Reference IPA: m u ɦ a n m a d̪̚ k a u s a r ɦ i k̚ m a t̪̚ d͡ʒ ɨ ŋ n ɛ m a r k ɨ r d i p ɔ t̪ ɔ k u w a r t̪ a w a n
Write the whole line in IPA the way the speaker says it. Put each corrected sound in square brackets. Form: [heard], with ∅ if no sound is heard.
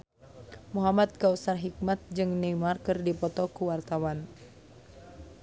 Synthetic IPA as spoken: m u ɦ a [∅] m a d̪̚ k a u s a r ɦ i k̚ m a t̪̚ d͡ʒ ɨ ŋ n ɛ m a r k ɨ r d i p ɔ t̪ ɔ k u w a r t̪ a w a n

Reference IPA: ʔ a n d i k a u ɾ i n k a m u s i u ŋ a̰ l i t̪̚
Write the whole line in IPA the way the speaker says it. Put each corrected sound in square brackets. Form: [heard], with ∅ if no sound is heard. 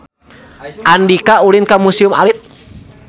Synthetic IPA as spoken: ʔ a n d i k a u [l] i n k a m u s i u [m] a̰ l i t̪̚

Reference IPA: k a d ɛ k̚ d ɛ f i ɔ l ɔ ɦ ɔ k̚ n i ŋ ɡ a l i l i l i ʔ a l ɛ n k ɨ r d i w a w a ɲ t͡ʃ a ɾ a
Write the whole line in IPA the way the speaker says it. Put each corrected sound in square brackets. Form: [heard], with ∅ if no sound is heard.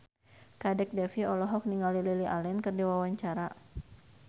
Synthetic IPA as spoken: k a d ɛ k̚ d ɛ f i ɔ l ɔ ɦ ɔ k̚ n i ŋ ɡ a l i l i l i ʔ a l ɛ n k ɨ r d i w a w a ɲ t͡ʃ a ɾ a

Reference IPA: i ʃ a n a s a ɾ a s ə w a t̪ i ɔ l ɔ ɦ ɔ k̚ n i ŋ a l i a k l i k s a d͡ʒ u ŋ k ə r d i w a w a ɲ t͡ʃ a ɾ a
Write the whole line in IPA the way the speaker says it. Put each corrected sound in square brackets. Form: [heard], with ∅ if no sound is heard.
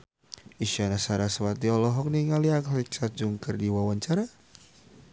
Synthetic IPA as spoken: i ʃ a n a s a ɾ a s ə w a t̪ i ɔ l ɔ ɦ ɔ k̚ n i ŋ a l i a k l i k s a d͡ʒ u ŋ k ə r d i w a w a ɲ t͡ʃ a ɾ a

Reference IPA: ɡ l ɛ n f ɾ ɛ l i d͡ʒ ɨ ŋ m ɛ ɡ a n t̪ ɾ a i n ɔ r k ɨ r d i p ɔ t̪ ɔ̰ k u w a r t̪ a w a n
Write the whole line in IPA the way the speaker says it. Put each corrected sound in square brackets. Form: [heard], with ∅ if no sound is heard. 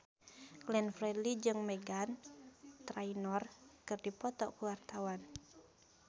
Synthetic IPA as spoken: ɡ l ɛ n f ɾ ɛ l i d͡ʒ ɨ ŋ m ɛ ɡ a n t̪ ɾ a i n ɔ r k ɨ r d i p ɔ t̪ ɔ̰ k u w a r t̪ a w a n

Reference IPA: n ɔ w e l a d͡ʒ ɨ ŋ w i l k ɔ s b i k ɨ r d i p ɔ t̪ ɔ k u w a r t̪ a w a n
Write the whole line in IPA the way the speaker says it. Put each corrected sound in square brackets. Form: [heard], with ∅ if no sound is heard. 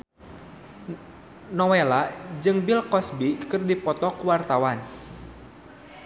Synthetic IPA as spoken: n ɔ w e l a d͡ʒ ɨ ŋ [b] i l k ɔ s b i k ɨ r d i p ɔ t̪ ɔ k u w a r t̪ a w a n

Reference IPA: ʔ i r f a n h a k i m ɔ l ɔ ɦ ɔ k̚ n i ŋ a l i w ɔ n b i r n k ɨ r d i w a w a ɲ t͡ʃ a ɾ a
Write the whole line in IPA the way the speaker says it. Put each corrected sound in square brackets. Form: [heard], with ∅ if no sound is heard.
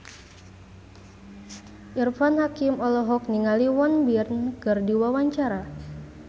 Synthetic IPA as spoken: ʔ i r f a n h a k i m ɔ l ɔ ɦ ɔ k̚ n i ŋ a l i w ɔ n b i r n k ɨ r d i w a w a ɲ t͡ʃ a ɾ a

